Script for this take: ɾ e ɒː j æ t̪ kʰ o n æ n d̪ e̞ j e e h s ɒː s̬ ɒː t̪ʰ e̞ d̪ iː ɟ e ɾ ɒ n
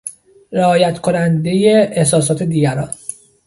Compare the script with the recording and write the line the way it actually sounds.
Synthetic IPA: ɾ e ɒː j æ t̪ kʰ o n æ n d̪ e̞ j e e h s ɒː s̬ ɒː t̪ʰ e̞ d̪ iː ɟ æ ɾ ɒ n